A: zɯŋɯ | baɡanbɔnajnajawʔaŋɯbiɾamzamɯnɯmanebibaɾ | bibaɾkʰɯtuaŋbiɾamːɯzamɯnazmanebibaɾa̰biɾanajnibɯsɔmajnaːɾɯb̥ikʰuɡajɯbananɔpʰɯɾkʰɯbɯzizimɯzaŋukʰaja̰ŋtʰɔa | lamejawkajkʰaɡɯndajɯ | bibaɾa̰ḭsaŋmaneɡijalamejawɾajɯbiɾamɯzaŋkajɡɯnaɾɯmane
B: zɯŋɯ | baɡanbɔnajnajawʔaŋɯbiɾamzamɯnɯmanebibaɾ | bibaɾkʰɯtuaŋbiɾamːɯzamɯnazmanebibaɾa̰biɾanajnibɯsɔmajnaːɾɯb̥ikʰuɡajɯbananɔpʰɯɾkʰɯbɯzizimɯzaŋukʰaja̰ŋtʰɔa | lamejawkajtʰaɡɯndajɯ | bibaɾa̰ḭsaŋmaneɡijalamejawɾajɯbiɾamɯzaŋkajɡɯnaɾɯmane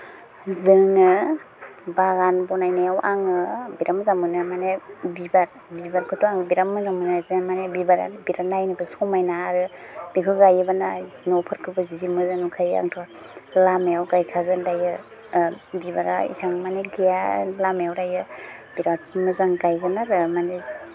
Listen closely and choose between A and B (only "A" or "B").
A